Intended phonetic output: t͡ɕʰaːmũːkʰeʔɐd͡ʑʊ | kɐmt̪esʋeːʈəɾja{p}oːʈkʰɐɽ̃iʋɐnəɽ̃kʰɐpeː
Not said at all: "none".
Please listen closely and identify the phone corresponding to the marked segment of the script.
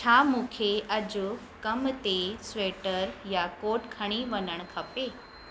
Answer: k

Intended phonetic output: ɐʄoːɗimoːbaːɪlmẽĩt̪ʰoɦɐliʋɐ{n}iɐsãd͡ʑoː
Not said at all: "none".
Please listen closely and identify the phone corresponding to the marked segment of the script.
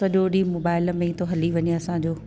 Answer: ɲ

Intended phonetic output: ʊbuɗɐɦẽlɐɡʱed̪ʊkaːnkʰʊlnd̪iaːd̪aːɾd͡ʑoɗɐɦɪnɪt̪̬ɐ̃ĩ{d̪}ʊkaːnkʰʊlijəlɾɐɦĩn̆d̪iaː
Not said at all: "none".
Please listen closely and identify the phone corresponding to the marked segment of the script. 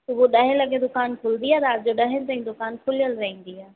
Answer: d̪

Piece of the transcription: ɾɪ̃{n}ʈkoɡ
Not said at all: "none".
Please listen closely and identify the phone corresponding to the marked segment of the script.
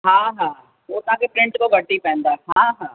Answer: ɳ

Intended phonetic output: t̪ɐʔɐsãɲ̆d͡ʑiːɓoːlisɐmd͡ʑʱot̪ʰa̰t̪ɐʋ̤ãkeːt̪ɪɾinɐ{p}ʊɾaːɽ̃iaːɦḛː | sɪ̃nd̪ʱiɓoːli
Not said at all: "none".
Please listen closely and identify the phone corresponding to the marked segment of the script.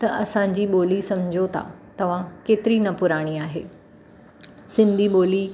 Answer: p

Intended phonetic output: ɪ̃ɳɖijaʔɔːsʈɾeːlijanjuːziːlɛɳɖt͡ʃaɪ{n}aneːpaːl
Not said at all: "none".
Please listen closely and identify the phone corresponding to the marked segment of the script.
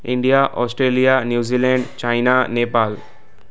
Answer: n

